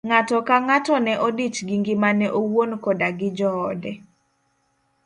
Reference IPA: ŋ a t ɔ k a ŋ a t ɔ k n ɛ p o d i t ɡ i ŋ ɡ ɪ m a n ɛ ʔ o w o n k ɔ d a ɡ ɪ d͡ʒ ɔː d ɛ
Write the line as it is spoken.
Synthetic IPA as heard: ŋ a t ɔ k a ŋ a t ɔ n ɛ ʔ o d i t͡ʃ ɡ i ŋ ɡ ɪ m a n ɛ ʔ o w o n k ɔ d a ɡ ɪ d͡ʒ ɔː d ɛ